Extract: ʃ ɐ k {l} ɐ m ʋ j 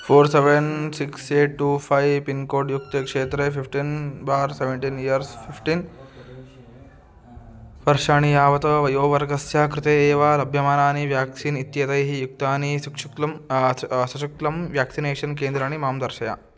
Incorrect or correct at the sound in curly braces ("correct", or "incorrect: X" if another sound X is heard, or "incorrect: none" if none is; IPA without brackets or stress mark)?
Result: correct